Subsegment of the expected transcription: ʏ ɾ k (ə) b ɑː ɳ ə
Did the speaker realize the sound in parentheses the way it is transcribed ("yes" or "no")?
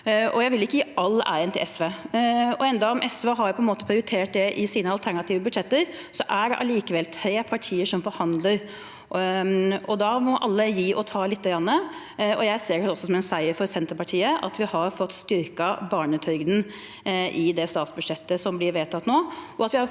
no